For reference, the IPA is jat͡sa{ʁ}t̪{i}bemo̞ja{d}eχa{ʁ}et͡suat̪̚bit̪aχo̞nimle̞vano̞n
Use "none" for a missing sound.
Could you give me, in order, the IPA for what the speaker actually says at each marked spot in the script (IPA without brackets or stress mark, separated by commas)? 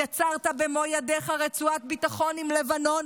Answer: ʁ, a, d, ʁ